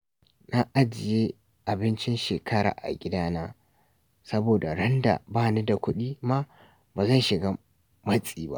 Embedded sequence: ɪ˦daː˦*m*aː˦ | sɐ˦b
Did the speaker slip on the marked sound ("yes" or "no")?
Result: yes